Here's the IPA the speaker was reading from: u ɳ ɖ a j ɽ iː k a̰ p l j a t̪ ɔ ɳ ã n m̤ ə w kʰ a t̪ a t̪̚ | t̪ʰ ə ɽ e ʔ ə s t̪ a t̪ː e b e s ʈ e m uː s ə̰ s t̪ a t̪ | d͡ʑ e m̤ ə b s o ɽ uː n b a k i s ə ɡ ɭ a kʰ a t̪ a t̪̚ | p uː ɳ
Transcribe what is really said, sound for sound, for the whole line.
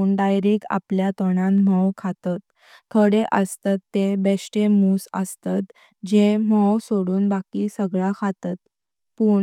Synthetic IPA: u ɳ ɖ a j ɾ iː k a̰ p l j a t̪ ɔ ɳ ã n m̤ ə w kʰ a t̪ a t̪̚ | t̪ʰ ə ɽ e ʔ ə s t̪ a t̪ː e b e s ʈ e m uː s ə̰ s t̪ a t̪ | d͡ʑ e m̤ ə w s o ɽ uː n b a k i s ə ɡ ɭ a kʰ a t̪ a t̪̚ | p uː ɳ